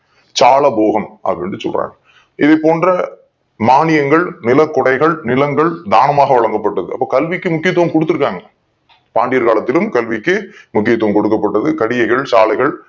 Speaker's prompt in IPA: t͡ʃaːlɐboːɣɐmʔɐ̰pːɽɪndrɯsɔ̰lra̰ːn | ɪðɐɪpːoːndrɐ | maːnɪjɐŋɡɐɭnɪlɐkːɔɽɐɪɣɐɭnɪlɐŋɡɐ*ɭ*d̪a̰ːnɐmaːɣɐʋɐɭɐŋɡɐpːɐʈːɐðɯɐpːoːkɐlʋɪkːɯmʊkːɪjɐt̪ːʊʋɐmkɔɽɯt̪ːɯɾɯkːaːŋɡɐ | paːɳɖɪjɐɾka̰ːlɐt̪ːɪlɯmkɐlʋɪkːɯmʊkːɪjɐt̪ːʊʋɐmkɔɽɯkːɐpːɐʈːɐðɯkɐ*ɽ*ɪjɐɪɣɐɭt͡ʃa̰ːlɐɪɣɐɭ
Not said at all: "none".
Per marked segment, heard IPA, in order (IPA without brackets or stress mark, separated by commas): ɭ, ɽ